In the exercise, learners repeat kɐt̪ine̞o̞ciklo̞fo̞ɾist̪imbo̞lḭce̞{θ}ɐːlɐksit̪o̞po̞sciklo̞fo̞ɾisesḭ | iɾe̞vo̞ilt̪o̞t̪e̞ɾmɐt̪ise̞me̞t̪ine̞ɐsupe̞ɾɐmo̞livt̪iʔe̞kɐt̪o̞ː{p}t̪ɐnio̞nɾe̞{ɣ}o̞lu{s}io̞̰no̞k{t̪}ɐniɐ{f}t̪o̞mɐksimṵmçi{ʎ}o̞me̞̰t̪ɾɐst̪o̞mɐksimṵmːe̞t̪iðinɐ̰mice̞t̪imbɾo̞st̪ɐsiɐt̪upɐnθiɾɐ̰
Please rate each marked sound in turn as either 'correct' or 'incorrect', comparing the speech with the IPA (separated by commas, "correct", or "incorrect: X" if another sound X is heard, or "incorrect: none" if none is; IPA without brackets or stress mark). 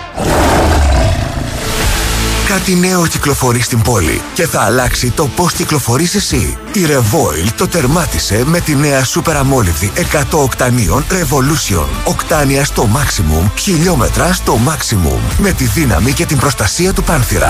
correct, incorrect: k, incorrect: v, correct, correct, incorrect: s, correct